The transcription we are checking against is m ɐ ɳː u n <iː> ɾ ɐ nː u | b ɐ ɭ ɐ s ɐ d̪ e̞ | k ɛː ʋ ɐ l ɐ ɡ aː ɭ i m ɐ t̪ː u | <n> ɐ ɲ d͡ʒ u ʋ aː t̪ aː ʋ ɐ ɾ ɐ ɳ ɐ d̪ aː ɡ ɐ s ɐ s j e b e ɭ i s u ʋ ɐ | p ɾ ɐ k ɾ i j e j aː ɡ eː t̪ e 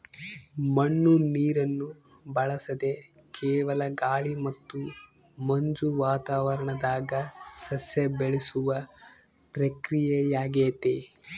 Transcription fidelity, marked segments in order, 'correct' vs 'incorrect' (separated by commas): correct, incorrect